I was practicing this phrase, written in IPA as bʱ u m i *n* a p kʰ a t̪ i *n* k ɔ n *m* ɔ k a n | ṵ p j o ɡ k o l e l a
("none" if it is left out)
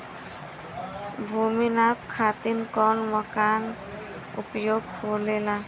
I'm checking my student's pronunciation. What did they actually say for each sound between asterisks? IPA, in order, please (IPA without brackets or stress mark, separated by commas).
n, n, m